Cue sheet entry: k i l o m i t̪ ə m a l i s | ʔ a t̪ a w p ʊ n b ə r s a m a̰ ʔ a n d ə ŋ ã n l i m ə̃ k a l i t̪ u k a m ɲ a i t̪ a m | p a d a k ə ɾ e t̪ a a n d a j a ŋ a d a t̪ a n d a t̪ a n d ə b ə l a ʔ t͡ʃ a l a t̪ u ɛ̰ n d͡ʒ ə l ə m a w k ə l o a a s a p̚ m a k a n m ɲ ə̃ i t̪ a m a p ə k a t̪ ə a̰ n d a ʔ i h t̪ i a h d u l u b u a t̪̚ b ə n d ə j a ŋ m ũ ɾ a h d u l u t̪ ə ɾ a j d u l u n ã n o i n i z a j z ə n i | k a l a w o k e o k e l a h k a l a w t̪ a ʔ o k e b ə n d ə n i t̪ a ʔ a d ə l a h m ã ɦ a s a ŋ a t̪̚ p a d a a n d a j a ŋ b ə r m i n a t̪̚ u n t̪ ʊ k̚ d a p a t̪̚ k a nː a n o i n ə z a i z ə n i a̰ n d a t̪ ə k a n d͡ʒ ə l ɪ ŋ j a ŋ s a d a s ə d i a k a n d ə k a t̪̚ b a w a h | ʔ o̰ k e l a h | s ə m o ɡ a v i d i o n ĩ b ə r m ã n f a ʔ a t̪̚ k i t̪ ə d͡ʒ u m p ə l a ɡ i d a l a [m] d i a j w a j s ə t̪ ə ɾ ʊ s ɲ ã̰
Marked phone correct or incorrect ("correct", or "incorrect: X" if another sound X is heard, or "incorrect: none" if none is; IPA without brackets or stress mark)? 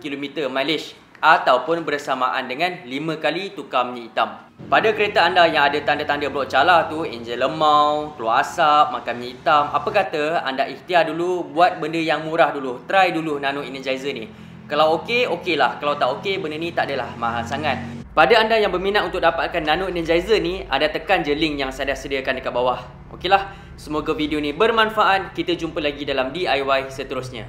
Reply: correct